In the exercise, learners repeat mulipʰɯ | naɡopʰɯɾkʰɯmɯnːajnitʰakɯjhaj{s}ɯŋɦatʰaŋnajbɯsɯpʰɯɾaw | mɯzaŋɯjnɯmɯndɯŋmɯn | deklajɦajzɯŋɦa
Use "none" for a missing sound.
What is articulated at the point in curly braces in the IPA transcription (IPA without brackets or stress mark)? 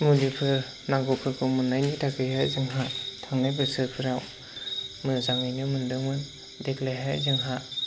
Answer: z